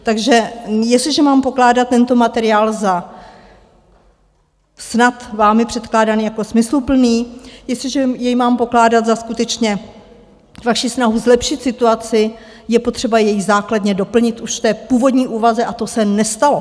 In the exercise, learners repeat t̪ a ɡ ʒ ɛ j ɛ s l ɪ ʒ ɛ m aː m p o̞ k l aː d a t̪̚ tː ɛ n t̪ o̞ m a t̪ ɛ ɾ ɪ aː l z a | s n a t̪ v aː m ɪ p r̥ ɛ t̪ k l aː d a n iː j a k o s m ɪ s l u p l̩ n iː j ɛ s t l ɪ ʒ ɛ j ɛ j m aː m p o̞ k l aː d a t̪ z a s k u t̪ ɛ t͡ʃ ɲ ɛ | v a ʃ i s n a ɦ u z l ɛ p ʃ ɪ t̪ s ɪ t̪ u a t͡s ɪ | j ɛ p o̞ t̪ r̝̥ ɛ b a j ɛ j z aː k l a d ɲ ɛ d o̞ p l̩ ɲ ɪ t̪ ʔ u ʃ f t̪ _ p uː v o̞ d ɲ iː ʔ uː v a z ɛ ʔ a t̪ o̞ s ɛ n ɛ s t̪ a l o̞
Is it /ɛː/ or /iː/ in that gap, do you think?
ɛː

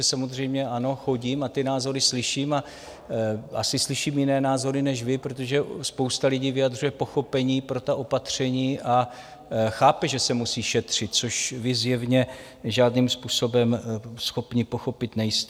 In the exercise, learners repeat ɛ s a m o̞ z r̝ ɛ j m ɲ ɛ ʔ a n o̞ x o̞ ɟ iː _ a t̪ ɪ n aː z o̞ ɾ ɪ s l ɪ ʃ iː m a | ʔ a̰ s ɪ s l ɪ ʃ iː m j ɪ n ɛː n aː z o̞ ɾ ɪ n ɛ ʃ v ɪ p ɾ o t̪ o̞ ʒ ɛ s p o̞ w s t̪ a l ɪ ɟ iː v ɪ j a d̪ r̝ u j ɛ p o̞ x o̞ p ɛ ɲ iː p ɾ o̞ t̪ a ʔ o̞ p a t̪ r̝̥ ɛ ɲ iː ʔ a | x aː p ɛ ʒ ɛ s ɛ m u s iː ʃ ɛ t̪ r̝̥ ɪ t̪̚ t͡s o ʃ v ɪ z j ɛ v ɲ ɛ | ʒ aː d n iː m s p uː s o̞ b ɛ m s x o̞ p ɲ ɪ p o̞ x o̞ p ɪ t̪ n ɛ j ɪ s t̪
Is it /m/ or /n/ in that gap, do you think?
m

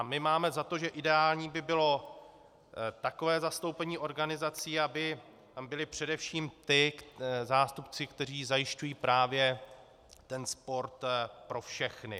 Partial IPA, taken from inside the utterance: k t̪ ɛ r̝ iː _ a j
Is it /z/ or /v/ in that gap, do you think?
z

